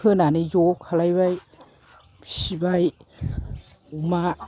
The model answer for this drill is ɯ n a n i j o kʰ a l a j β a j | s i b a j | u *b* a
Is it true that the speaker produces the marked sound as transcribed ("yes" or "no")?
no